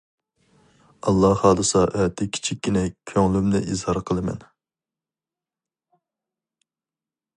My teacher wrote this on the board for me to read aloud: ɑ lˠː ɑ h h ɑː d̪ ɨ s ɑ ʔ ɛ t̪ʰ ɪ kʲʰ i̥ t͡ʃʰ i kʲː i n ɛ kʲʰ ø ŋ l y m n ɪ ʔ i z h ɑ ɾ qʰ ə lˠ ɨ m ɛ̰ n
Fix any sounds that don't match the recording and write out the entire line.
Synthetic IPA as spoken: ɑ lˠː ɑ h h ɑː d̪ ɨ s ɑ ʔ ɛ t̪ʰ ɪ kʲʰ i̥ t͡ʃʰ i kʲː i n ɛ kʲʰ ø ŋ l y m n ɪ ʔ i z h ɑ ɾ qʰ ə lˠ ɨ m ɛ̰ n